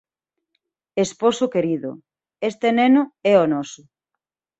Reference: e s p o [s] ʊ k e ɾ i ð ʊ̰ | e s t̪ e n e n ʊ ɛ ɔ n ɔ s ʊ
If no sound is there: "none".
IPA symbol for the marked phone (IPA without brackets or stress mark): s